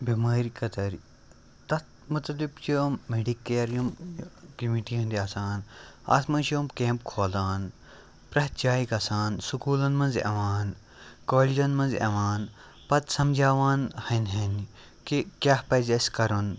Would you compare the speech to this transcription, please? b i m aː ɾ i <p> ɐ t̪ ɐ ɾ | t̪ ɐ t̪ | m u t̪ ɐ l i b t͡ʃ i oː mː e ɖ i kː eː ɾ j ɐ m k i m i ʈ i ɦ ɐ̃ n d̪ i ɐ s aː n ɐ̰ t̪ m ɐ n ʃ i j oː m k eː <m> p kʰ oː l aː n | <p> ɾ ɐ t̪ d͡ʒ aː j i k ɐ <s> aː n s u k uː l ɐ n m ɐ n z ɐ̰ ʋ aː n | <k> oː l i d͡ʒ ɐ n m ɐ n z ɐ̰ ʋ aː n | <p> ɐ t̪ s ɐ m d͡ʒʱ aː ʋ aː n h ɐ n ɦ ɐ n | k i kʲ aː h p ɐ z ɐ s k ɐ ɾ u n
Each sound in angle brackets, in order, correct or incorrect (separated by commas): incorrect, correct, correct, correct, correct, correct